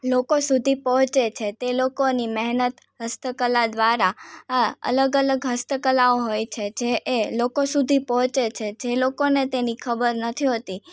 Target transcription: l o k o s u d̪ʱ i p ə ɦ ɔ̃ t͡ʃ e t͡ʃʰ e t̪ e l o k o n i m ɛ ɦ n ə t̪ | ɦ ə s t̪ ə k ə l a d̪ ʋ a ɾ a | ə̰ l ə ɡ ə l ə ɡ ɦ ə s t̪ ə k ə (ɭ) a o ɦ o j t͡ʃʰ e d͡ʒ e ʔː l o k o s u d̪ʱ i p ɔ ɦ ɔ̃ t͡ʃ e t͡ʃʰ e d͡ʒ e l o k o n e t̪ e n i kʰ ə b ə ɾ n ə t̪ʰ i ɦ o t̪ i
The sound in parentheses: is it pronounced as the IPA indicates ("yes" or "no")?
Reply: no